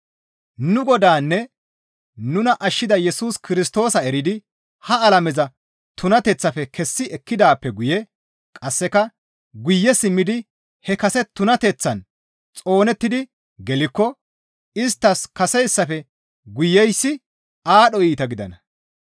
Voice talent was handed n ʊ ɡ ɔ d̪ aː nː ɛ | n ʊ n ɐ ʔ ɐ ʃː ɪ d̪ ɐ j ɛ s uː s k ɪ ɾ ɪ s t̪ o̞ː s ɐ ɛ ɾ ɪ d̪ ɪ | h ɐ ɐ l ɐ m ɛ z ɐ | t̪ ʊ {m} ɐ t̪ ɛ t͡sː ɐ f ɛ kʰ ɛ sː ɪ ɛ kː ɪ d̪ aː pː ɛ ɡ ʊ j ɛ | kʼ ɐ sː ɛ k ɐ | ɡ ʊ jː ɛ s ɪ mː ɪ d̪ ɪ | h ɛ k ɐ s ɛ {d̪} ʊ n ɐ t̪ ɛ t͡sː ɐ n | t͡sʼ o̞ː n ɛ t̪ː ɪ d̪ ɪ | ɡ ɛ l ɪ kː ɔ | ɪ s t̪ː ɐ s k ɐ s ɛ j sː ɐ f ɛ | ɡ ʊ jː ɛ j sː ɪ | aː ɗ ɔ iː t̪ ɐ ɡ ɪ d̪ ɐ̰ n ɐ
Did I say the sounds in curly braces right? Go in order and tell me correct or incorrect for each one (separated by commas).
incorrect, incorrect